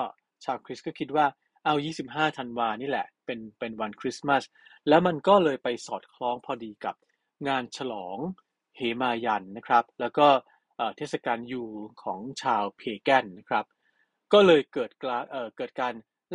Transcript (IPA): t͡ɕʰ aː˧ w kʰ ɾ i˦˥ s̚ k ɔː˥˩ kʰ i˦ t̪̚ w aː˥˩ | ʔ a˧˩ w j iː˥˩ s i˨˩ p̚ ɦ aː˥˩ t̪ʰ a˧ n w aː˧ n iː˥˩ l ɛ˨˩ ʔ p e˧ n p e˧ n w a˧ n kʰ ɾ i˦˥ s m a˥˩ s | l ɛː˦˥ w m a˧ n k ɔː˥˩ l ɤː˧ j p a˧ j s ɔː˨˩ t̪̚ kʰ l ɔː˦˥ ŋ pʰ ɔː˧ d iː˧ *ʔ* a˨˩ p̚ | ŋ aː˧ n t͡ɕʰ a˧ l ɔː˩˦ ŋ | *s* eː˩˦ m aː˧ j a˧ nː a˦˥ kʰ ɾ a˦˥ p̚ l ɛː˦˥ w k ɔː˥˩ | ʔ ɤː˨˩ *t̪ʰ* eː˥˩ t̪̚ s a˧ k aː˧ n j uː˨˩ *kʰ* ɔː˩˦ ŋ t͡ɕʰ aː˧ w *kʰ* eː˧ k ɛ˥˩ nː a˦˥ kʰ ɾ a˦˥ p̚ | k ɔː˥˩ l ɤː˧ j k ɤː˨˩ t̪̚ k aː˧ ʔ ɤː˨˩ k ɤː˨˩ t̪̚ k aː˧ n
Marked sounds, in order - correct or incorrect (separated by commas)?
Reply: incorrect, incorrect, correct, correct, incorrect